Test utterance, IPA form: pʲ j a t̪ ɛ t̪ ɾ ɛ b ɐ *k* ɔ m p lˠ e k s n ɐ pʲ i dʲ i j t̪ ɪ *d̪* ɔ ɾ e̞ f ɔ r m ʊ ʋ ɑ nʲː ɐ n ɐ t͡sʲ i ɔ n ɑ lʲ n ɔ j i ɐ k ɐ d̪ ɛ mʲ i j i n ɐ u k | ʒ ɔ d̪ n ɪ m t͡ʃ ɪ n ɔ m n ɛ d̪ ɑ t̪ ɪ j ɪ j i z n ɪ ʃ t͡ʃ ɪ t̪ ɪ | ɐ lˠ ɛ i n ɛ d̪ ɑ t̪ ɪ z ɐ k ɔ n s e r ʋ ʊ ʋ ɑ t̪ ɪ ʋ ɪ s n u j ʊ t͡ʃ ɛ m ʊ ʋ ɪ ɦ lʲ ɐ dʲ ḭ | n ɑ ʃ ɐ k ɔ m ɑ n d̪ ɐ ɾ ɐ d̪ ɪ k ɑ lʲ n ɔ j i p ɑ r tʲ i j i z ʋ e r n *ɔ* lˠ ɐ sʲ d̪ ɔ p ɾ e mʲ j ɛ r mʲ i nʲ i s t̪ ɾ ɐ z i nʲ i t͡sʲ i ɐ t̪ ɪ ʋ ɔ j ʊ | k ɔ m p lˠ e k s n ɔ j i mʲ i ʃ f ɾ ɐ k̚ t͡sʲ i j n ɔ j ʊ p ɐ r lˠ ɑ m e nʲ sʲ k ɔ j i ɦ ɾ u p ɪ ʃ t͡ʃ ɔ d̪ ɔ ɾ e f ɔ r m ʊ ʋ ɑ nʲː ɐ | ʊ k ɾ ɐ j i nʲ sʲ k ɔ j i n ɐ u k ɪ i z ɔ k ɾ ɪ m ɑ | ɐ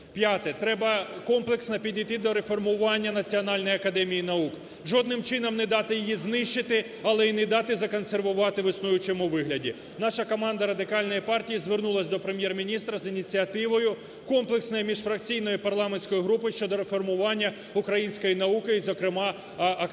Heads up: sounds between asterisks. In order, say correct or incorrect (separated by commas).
correct, correct, incorrect